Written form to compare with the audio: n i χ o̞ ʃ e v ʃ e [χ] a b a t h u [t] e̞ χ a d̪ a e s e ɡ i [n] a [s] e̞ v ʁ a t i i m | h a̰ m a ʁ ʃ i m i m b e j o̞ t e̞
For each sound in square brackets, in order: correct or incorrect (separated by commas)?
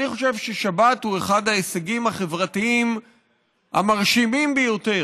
incorrect, incorrect, incorrect, incorrect